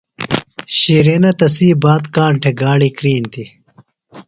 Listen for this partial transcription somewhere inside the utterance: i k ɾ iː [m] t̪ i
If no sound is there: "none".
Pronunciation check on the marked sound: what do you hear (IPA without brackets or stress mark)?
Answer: n